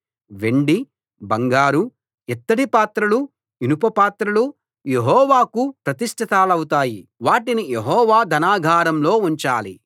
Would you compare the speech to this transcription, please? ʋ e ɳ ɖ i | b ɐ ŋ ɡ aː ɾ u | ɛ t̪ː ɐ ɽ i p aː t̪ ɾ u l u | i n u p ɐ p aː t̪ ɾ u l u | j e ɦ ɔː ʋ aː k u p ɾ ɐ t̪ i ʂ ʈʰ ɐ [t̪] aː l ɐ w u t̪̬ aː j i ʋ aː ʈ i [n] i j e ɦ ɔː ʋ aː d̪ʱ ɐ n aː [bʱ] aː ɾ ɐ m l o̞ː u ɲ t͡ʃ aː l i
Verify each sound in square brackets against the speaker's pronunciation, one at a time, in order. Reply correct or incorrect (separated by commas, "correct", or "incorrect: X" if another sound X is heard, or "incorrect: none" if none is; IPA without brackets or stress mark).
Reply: correct, correct, incorrect: ɡʱ